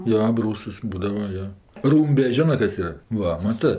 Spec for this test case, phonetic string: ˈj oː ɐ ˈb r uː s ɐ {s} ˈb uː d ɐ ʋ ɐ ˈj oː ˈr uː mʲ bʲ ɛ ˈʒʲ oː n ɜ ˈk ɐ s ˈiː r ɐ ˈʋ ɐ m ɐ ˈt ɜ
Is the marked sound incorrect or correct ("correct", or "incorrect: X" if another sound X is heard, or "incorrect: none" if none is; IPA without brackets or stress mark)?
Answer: correct